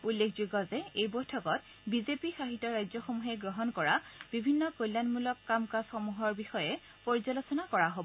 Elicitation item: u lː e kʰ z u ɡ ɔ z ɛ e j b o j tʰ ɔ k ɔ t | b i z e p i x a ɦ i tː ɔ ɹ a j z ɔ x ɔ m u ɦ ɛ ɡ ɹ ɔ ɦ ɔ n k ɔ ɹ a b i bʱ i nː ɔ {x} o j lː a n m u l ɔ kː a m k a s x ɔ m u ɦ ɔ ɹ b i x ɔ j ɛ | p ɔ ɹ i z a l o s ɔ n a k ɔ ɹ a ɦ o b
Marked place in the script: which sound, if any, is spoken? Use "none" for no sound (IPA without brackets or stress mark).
k